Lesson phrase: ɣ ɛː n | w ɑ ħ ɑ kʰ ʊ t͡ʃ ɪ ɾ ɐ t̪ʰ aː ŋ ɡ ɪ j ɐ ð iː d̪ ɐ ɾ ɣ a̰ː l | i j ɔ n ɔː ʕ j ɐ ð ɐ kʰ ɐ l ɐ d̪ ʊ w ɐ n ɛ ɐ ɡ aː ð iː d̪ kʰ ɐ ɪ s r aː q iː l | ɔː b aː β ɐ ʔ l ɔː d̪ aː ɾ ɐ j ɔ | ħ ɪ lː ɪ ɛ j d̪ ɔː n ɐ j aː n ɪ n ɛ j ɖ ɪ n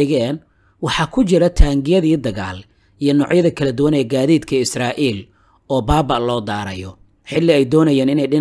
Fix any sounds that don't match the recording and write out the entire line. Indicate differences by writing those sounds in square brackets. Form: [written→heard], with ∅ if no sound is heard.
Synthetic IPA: ɣ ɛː n | w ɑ ħ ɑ kʰ ʊ t͡ʃ ɪ ɾ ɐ t̪ʰ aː ŋ ɡ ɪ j ɐ ð iː d̪ ɐ [ɾ→∅] ɣ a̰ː l | i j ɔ n ɔː ʕ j ɐ ð ɐ kʰ ɐ l ɐ d̪ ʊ w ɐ n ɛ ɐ ɡ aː ð iː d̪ kʰ ɐ ɪ s r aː [q→ʔ] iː l | ɔː b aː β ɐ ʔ l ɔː d̪ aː ɾ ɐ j ɔ | ħ ɪ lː ɪ ɛ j d̪ ɔː n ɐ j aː n ɪ n ɛ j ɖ ɪ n